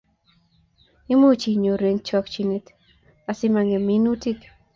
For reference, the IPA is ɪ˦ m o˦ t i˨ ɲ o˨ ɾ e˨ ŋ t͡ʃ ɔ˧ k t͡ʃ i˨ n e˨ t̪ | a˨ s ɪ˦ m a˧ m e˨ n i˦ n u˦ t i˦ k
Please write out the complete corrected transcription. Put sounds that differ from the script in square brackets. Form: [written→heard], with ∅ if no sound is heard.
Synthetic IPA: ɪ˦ m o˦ [t→t͡ʃ] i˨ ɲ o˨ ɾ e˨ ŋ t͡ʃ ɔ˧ k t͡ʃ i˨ n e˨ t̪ | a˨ s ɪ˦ m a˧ [m→ŋ] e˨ [n→m] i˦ n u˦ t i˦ k